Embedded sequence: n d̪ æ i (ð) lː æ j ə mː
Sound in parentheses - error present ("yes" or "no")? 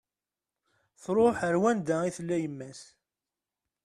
yes